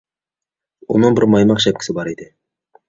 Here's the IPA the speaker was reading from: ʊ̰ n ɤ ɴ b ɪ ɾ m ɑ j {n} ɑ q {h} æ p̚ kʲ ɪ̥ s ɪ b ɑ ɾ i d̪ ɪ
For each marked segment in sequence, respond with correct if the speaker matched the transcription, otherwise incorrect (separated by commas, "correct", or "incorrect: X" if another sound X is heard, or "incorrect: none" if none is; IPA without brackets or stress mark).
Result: incorrect: m, incorrect: ʃ